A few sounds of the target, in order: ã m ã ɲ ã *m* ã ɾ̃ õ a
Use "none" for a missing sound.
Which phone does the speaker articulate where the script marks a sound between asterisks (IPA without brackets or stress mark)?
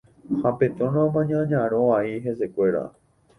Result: ɲ